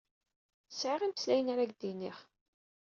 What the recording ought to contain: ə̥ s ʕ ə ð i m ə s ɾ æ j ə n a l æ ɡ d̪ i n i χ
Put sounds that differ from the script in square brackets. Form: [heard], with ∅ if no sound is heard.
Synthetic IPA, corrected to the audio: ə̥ s ʕ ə [ʁ] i m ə s [l] æ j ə n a [ɾ] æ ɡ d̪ i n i χ